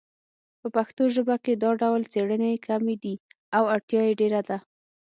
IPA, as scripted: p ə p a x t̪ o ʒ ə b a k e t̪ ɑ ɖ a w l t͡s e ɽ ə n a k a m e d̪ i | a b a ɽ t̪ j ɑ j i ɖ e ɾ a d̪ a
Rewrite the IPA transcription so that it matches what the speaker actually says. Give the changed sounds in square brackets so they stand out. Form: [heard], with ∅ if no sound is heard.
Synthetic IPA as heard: p ə p a x t̪ o ʒ ə b a k e [d̪] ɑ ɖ a w l t͡s e ɽ ə n [e] k a m e d̪ i | a [w] a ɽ t̪ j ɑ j [e] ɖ e ɾ a d̪ a